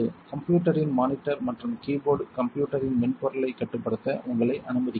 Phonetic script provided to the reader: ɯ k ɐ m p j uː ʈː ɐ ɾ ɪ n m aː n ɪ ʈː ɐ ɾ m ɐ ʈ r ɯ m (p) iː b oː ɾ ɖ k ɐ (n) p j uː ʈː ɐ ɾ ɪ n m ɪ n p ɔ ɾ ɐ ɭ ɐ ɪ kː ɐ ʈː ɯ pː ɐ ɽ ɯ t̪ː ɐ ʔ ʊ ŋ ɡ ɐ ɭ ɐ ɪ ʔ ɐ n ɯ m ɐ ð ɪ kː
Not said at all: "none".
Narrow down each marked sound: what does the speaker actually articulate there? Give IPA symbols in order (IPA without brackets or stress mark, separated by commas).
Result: k, m